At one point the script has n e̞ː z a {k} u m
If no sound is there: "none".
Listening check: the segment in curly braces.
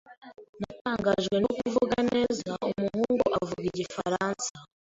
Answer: none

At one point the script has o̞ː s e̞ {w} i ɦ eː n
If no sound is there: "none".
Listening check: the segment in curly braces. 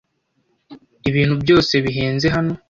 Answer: β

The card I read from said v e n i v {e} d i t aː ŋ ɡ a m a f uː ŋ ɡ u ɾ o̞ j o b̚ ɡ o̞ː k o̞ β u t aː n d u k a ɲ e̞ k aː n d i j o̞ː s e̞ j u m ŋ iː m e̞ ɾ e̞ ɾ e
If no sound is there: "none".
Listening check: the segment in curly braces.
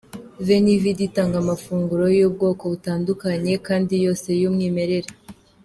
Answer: i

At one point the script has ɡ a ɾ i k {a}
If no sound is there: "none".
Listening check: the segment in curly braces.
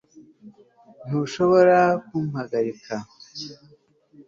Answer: a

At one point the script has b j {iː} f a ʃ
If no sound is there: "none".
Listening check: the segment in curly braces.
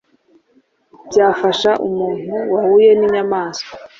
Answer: aː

